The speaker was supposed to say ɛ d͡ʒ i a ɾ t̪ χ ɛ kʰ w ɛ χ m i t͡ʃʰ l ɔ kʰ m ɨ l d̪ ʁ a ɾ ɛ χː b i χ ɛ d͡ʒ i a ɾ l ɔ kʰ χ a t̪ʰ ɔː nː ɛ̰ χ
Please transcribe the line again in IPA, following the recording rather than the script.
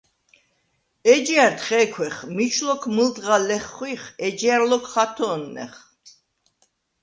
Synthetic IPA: ɛ d͡ʒ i a ɾ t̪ χ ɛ kʰ w ɛ χ m i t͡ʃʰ l ɔ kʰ m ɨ l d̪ ʁ a l ɛ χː w i χ ɛ d͡ʒ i a ɾ l ɔ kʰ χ a t̪ʰ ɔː nː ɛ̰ χ